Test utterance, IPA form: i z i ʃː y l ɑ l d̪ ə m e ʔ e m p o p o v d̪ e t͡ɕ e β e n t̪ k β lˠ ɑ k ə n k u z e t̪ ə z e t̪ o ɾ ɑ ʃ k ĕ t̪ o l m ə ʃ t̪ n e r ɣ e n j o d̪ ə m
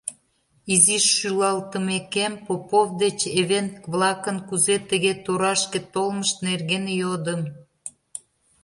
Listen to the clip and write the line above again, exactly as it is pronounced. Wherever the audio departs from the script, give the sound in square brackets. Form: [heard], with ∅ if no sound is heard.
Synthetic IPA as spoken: i z i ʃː y l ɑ l [t̪] ə m e [k] e m p o p o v d̪ e t͡ɕ e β e n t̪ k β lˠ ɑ k ə n k u z e t̪ ə [ɣ] e t̪ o ɾ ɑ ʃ k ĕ t̪ o l m ə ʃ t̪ n e r ɣ e n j o d̪ ə m

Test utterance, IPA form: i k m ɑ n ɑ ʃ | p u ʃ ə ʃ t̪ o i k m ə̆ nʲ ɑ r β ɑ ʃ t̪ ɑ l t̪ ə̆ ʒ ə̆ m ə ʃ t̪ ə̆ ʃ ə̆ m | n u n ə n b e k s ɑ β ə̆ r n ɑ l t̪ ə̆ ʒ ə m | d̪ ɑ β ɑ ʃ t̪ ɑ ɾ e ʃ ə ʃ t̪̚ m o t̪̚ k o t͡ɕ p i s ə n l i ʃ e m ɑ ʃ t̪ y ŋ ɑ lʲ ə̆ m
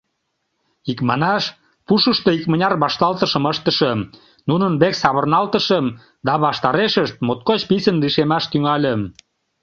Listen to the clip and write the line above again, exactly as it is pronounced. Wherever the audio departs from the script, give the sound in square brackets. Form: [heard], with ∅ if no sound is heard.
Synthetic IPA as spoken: i k m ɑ n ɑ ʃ | p u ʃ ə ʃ t̪ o i k m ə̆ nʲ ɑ r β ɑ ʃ t̪ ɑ l t̪ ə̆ [ʃ] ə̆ m ə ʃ t̪ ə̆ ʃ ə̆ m | n u n ə n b e k s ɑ β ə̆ r n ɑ l t̪ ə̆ [ʃ] ə m | d̪ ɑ β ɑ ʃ t̪ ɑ ɾ e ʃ ə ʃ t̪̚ m o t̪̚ k o t͡ɕ p i s ə n l i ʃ e m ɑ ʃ t̪ y ŋ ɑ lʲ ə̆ m

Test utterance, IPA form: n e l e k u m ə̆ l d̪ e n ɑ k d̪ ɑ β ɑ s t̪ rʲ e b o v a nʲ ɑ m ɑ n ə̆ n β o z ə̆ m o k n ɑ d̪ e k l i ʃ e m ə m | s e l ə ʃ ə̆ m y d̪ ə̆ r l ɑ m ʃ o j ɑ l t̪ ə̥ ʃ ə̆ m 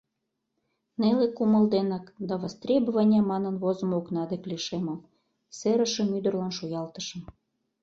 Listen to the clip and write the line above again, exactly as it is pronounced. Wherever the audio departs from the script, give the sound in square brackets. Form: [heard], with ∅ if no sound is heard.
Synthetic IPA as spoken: n e l e k u m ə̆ l d̪ e n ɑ k d̪ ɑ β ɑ s t̪ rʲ e b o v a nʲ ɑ m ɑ n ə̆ n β o z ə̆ m o k n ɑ d̪ e k l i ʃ e m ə m | s e [ɾ] ə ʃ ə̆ m y d̪ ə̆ r l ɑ [n] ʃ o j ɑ l t̪ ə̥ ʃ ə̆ m

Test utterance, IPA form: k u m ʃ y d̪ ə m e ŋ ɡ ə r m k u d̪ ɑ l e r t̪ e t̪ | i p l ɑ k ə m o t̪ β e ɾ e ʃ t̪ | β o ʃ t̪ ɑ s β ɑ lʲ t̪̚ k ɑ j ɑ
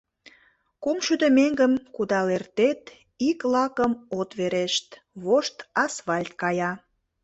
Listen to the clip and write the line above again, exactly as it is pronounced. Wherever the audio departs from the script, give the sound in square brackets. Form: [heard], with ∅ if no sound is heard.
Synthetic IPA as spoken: k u m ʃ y d̪ ə m e ŋ ɡ ə [∅] m k u d̪ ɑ l e r t̪ e t̪ | i [k] l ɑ k ə m o t̪ β e ɾ e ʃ t̪ | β o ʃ t̪ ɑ s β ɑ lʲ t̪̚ k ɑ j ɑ

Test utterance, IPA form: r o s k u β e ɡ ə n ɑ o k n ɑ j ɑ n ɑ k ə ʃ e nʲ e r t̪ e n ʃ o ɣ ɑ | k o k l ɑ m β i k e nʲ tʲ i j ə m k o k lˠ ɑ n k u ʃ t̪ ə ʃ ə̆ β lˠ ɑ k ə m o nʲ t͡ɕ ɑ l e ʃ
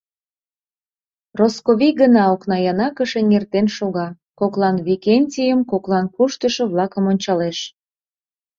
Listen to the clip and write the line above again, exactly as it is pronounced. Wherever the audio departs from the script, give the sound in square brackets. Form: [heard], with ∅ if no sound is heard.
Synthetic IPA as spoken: r o s k [o] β [i] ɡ ə n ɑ o k n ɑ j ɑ n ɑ k ə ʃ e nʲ e r t̪ e n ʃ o ɣ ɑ | k o k l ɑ [n] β i k e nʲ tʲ i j ə m k o k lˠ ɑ n k u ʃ t̪ ə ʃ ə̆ β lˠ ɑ k ə m o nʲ t͡ɕ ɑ l e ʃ

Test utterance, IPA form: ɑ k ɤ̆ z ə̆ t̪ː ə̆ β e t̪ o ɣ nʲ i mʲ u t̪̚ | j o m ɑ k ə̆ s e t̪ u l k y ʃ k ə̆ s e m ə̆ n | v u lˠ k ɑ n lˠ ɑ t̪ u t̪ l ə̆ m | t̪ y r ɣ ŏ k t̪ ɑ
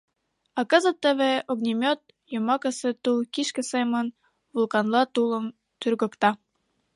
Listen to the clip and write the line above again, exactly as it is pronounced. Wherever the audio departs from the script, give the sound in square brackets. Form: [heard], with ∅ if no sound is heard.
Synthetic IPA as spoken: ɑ k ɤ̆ z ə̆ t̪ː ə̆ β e [∅] o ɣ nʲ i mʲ [o] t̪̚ | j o m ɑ k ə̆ s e t̪ u l k [i] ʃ k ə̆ s e m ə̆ n | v u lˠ k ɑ n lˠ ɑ t̪ u [∅] l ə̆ m | t̪ y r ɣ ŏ k t̪ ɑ

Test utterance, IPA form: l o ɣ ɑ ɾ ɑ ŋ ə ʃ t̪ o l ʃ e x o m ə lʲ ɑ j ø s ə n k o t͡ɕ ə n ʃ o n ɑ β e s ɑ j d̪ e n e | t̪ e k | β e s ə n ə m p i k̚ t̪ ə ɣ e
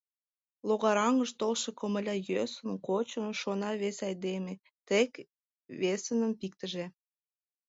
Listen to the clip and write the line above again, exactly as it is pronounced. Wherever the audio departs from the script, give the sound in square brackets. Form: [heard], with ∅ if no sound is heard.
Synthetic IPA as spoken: l o ɣ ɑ ɾ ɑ ŋ ə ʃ t̪ o l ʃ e [k] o m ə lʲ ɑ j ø s ə n k o t͡ɕ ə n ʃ o n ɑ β e s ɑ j d̪ e [m] e | t̪ e k | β e s ə n ə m p i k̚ t̪ ə [ʒ] e

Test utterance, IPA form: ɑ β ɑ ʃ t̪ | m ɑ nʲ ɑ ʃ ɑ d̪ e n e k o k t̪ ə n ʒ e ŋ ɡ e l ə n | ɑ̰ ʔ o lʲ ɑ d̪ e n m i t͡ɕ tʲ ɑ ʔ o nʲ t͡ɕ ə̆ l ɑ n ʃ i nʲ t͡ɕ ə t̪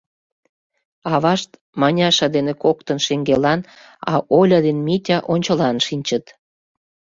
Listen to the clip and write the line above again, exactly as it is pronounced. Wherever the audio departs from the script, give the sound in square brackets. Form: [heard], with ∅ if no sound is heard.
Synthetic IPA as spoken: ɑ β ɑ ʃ t̪ | m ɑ nʲ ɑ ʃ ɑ d̪ e n e k o k t̪ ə n [ʃ] e ŋ ɡ e l [ɑ] n | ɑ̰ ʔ o lʲ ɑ d̪ e n m i [∅] tʲ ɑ ʔ o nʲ t͡ɕ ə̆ l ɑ n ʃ i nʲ t͡ɕ ə t̪

